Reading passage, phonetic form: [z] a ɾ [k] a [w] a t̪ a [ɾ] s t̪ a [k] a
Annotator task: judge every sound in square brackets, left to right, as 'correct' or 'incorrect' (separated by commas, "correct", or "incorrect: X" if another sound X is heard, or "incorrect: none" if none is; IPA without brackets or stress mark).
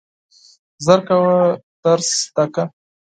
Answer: correct, correct, correct, correct, correct